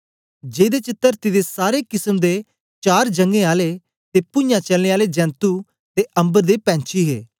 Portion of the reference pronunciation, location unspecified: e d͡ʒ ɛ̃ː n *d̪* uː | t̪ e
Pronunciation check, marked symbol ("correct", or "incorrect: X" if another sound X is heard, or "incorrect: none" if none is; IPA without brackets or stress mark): incorrect: t̪